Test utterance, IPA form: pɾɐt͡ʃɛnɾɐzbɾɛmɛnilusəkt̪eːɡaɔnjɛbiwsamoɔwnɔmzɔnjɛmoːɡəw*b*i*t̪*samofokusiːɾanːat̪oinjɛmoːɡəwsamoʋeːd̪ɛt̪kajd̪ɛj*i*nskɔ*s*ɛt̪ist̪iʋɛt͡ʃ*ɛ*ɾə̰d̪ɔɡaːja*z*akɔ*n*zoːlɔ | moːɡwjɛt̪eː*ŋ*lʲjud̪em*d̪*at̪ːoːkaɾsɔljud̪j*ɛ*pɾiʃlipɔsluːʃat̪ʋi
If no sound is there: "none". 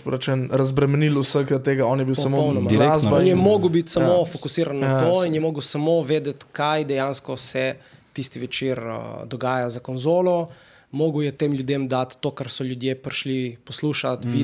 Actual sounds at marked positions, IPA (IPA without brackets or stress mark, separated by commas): b, t̪, a, s, i, z, n, m, d̪, e